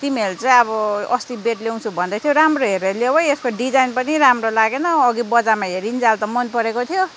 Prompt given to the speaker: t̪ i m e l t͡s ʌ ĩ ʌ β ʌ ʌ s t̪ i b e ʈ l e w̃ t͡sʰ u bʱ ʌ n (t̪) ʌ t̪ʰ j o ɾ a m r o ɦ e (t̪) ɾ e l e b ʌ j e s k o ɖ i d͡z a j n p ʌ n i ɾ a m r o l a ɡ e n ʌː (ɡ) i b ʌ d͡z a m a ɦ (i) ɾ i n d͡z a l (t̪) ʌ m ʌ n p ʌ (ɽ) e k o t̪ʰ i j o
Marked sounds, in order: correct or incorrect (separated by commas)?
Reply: incorrect, incorrect, correct, incorrect, correct, incorrect